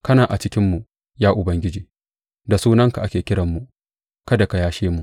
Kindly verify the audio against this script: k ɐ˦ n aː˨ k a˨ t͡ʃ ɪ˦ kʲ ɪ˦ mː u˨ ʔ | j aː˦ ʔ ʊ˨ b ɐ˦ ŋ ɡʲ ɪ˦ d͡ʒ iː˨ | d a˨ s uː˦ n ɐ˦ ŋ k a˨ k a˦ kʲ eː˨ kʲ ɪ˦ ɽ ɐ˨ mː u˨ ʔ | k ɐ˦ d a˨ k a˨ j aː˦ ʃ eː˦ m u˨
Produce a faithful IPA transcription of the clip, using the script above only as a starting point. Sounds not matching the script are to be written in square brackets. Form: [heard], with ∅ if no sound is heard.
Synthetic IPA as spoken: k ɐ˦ n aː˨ [ʔ] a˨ t͡ʃ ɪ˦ kʲ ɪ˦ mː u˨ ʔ | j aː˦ ʔ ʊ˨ b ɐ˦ ŋ ɡʲ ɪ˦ d͡ʒ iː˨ | d a˨ s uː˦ n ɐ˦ ŋ k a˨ [ʔ] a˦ kʲ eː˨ kʲ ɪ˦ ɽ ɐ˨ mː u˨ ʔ | k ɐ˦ d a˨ k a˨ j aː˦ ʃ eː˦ m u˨

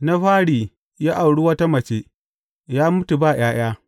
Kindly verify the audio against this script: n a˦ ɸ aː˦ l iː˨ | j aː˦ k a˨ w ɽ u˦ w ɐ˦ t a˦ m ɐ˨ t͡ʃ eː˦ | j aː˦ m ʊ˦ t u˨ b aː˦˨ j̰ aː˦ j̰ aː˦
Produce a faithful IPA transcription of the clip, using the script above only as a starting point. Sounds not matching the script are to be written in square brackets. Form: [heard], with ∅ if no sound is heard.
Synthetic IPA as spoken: n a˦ ɸ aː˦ [ɽ] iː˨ | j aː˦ [ʔ] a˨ w ɽ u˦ w ɐ˦ t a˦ m ɐ˨ t͡ʃ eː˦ | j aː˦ m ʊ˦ t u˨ b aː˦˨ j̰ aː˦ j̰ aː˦

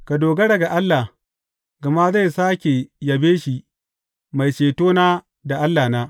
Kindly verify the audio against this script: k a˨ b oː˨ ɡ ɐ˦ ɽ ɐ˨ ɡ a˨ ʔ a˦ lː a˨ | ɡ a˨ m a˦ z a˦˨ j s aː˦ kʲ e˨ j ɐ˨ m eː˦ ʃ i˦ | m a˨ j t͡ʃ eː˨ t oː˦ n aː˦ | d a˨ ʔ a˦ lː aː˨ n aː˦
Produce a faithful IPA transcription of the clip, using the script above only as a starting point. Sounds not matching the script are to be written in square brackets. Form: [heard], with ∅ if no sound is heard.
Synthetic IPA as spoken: k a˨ [d] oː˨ ɡ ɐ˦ ɽ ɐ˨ ɡ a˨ ʔ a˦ lː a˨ | ɡ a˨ m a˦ z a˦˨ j s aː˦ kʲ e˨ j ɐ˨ [b] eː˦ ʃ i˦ | m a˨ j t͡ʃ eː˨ t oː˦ n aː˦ | d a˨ ʔ a˦ lː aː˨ n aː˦

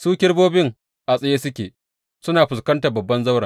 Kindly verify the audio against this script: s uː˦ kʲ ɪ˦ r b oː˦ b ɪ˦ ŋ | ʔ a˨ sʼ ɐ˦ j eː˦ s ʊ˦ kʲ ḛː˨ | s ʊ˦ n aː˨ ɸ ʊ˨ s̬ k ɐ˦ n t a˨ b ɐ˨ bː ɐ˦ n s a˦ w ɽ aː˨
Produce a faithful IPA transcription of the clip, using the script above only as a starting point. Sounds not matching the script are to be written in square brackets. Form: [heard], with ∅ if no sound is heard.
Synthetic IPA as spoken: s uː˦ kʲ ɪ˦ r b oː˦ b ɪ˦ ŋ | ʔ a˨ sʼ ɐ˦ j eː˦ s ʊ˦ kʲ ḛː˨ | s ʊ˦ n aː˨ ɸ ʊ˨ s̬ k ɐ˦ n t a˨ b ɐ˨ bː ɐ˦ n [z] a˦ w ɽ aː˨

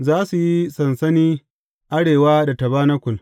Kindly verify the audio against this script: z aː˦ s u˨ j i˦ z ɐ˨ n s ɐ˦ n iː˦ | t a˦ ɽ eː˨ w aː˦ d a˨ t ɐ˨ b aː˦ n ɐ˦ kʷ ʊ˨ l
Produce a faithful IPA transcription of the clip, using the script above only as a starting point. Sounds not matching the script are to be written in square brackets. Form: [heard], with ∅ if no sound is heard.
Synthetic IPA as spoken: z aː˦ s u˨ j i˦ [s] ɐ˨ n s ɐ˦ n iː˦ | [ʔ] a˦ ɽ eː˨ w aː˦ d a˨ t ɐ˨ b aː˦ n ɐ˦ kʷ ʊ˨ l

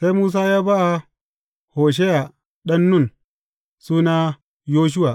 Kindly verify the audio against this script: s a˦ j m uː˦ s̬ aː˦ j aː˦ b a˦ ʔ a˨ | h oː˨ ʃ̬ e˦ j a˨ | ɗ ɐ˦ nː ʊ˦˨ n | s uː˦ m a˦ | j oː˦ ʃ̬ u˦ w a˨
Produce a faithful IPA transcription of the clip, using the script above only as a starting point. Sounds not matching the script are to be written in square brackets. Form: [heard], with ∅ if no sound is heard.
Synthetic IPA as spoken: s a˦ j m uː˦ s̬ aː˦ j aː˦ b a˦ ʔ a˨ | h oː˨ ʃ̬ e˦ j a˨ | ɗ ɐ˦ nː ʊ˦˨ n | s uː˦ [n] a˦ | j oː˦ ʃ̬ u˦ w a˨

